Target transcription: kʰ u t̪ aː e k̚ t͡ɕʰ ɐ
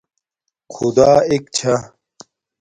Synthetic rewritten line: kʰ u d̪ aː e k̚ t͡ɕʰ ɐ